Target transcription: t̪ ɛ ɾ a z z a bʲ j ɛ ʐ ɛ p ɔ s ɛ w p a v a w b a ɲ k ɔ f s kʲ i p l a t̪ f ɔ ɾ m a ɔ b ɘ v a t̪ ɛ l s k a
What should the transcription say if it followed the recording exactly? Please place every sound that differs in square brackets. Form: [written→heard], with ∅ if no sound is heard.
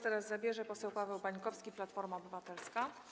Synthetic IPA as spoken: t̪ ɛ ɾ a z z a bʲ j ɛ ʐ ɛ p ɔ s ɛ w p a v [a→ɛ] w b a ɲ k ɔ f s kʲ i p l a t̪ f ɔ ɾ m a ɔ b ɘ v a t̪ ɛ l s k a